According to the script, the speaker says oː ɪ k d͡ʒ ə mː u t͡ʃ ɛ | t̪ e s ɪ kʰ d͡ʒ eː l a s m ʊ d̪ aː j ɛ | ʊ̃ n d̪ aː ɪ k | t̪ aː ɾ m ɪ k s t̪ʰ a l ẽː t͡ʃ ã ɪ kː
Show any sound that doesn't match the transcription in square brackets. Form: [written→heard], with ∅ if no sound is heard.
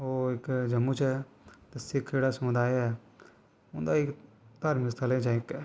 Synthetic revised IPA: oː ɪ k d͡ʒ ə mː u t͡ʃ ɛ | t̪ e s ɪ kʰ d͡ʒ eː [l→ɽ] a s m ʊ d̪ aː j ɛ | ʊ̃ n d̪ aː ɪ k | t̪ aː ɾ m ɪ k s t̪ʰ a l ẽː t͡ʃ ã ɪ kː